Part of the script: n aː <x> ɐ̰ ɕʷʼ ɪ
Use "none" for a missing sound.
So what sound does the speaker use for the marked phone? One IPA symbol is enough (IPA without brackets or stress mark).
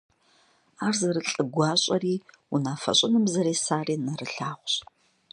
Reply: f